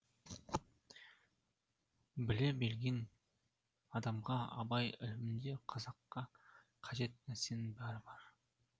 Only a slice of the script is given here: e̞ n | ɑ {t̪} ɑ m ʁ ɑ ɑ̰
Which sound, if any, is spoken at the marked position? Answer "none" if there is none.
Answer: d̪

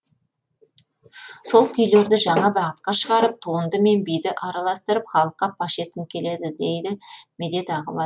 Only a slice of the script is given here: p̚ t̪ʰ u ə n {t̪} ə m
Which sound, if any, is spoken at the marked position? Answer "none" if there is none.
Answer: d̪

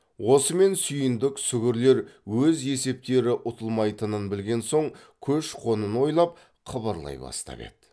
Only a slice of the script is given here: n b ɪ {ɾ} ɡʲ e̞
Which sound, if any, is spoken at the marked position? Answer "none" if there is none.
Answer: l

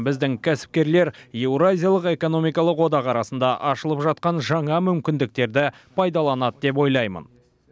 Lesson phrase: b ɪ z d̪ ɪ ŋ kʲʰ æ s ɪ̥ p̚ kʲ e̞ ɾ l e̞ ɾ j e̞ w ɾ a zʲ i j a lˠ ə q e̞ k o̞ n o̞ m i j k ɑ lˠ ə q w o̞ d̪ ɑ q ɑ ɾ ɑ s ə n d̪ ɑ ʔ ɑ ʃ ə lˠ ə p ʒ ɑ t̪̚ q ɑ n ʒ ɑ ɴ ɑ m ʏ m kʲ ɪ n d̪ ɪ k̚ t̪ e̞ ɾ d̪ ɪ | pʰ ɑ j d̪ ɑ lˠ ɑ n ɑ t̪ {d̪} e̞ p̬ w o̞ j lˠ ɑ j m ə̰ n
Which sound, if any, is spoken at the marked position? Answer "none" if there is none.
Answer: d̪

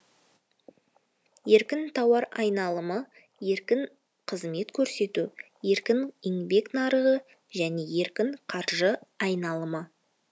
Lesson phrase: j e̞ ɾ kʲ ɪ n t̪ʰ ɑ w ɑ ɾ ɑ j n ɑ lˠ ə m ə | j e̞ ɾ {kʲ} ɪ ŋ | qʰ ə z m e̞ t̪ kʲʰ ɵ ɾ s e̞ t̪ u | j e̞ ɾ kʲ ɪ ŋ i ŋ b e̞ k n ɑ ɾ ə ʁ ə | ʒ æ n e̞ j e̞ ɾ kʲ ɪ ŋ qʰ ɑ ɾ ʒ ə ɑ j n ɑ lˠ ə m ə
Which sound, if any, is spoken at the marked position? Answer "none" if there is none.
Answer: kʲ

